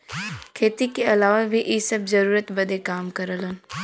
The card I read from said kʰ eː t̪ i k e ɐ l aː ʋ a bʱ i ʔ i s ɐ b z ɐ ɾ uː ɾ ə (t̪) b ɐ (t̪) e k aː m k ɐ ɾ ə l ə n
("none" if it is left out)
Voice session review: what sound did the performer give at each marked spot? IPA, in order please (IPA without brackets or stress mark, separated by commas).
t̪, d̪